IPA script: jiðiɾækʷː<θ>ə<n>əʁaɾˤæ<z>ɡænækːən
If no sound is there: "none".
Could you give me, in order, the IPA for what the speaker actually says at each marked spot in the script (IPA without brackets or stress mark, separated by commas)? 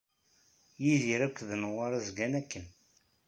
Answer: ð, n, z